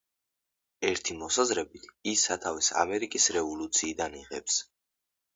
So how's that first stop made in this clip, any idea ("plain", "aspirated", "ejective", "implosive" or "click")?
aspirated